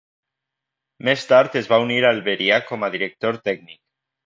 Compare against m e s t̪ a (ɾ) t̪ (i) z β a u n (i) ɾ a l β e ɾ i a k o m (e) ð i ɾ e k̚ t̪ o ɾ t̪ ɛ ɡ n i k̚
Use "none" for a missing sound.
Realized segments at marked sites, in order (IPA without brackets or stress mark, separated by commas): ɾ, e, i, a